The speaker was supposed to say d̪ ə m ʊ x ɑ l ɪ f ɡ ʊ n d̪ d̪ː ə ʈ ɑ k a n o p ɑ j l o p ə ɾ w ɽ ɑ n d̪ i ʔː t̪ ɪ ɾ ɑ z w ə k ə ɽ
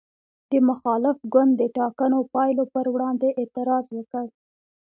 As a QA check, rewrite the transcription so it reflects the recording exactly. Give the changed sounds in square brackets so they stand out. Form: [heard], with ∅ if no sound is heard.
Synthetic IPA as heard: d̪ ə m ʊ x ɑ l ɪ f ɡ ʊ n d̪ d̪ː ə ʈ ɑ k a n o p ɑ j l o p ə ɾ w ɽ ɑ n d̪ [e] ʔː t̪ ɪ ɾ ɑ z w ə k ə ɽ

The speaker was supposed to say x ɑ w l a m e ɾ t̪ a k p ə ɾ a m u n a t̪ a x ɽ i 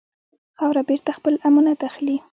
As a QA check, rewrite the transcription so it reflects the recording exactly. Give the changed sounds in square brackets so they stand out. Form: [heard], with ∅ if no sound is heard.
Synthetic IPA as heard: x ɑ w [ɾ] a [b] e ɾ t̪ a [x] p ə [l] a m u n a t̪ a x [l] i

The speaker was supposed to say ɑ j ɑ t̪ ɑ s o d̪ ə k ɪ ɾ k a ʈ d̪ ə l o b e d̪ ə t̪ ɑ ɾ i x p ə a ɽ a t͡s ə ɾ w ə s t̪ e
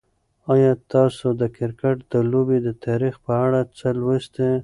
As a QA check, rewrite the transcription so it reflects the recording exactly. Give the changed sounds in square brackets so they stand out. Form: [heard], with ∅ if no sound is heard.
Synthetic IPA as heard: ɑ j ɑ t̪ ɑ s o d̪ ə k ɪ ɾ k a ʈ d̪ ə l o b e d̪ ə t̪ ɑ ɾ i x p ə a ɽ a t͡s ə [l] w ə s t̪ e

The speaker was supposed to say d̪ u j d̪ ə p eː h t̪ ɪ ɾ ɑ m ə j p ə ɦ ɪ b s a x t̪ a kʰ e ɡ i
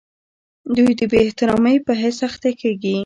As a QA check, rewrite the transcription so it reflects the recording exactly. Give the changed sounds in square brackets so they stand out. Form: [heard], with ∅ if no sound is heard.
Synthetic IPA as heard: d̪ u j d̪ ə [b] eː h t̪ ɪ ɾ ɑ m ə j p ə ɦ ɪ [∅] s a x t̪ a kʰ e ɡ i

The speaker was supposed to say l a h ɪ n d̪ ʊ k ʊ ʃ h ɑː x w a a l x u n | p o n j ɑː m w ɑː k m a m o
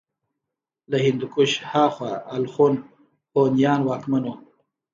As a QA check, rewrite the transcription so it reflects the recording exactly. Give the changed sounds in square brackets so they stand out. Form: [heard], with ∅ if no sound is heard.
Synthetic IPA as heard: l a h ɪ n d̪ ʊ k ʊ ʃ h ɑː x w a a l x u n | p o n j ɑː [n] w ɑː k m a [n] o

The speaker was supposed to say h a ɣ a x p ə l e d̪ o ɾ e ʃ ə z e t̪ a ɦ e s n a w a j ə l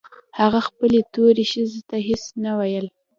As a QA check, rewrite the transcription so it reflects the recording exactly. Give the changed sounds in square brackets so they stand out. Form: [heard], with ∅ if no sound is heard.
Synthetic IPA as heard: h a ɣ a x p ə l e [t̪] o ɾ e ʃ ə z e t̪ a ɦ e s n a w a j ə l

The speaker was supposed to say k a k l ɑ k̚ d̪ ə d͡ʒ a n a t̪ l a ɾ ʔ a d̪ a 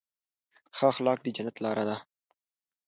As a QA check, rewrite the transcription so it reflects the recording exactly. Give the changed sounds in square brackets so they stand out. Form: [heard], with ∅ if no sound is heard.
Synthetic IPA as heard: [x] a [x] l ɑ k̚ d̪ ə d͡ʒ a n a t̪ l [ɑ] ɾ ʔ a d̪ a

